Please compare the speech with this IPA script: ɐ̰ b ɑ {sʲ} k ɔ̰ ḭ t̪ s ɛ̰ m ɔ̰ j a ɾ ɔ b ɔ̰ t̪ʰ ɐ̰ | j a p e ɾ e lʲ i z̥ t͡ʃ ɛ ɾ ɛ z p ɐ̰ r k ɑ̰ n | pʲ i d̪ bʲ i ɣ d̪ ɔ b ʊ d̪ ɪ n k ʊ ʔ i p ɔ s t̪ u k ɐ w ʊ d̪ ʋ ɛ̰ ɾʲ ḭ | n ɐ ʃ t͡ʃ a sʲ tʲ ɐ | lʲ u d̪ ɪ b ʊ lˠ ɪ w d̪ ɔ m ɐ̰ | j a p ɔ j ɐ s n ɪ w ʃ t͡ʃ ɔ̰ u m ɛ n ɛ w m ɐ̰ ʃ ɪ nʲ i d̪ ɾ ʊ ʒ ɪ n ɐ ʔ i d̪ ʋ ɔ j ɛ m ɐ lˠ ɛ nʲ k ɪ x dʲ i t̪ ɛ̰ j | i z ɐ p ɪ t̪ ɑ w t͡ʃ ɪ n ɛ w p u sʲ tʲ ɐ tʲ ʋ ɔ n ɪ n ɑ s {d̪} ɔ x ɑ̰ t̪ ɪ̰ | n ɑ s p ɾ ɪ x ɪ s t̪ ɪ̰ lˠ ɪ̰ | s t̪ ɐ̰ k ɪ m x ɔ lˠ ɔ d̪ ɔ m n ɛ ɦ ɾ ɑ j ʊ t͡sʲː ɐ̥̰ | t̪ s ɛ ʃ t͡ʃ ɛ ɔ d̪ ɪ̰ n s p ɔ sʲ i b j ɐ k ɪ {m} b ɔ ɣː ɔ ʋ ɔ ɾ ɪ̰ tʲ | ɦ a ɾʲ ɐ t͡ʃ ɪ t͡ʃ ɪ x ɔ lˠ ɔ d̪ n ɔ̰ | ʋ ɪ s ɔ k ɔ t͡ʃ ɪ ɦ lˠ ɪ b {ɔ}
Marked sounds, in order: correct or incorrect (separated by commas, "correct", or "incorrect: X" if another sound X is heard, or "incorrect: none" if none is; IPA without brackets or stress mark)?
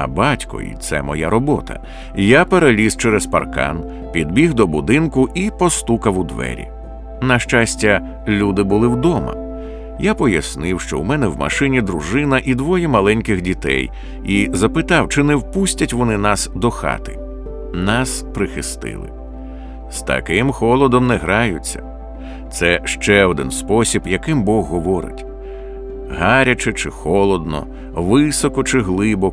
incorrect: tʲ, correct, correct, correct